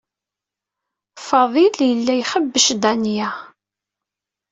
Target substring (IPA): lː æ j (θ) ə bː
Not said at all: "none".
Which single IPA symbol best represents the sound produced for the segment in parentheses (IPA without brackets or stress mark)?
χ